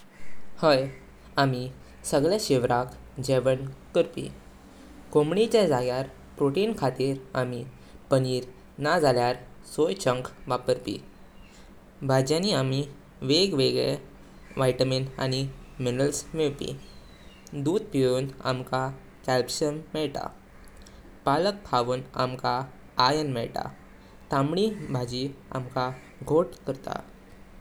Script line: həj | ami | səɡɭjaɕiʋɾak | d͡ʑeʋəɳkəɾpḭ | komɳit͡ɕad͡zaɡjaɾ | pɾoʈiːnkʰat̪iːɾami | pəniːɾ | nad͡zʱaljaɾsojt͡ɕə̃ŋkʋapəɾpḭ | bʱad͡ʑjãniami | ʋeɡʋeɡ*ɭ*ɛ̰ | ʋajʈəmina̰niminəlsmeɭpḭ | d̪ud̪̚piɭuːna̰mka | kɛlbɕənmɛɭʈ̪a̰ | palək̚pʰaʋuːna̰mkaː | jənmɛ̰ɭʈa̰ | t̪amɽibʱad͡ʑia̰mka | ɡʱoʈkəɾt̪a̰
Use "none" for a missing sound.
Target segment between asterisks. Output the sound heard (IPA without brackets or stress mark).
ɭ